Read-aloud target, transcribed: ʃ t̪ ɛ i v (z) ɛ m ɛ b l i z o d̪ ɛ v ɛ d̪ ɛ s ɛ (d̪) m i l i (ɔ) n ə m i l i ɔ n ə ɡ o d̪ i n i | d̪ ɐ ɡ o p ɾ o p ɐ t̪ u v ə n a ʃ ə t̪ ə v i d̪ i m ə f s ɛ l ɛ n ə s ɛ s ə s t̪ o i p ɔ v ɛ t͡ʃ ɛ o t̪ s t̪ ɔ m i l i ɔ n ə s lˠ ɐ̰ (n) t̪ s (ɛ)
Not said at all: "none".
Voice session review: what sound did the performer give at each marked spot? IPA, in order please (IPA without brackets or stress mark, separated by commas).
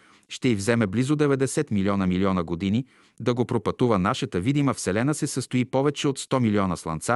z, t̪, ɔ, n, a